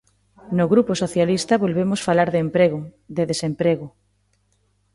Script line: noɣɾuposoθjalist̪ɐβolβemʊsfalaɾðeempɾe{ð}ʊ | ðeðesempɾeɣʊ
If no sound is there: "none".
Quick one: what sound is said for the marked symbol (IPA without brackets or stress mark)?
ɣ